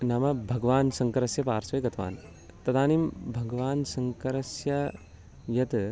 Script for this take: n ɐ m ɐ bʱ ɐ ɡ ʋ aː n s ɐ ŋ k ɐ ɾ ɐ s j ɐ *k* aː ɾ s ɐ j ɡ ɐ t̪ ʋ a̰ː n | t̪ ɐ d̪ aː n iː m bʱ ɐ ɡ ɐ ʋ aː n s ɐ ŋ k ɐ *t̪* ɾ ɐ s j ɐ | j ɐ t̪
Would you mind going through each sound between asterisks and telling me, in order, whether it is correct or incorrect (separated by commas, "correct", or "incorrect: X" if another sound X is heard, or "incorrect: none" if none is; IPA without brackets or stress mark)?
incorrect: p, incorrect: none